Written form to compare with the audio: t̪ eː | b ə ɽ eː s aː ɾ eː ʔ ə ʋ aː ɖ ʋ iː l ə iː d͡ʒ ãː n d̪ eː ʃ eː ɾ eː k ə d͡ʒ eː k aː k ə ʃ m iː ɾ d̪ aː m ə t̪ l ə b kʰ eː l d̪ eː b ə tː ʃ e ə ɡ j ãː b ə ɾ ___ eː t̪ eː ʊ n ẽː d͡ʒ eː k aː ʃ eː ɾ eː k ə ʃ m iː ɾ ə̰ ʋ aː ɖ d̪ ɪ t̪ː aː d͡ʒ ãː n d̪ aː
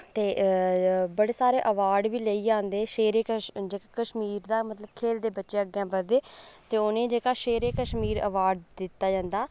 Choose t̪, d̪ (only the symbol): d̪